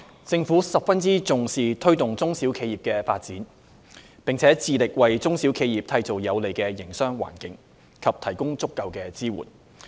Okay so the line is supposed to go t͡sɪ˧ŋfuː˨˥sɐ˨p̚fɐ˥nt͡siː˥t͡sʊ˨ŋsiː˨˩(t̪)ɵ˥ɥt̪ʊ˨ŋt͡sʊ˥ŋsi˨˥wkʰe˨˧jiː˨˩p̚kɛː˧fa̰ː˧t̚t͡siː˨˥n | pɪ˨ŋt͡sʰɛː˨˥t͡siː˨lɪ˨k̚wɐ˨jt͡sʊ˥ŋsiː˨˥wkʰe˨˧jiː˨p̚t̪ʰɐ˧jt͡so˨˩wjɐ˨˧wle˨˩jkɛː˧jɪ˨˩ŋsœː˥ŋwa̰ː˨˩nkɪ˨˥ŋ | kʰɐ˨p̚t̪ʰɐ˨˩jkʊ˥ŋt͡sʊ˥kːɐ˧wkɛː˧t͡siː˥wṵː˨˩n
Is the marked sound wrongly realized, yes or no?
yes